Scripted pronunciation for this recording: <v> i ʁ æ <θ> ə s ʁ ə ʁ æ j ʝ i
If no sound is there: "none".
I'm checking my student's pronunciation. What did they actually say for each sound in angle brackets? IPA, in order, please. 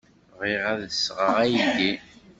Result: ʁ, ð

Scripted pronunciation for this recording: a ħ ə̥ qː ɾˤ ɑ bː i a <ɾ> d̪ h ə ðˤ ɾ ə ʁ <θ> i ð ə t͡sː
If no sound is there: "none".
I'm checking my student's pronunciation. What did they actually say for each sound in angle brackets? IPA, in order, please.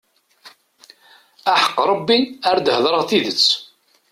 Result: ɾ, θ

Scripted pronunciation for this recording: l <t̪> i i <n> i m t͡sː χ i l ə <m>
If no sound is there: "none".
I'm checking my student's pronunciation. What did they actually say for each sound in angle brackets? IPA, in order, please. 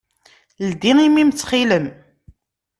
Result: d̪, m, m

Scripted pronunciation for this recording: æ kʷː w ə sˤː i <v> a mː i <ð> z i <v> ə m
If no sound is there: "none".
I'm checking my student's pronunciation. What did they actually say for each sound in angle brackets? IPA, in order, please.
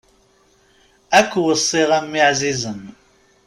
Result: ʁ, ʕ, z

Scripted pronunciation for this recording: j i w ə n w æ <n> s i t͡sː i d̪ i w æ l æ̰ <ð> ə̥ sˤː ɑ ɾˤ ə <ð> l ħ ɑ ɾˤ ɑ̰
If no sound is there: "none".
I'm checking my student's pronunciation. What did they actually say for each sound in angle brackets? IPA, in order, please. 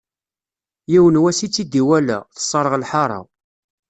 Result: none, θ, ʁ

